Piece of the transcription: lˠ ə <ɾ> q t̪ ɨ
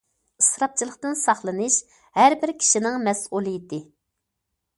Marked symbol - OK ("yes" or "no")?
no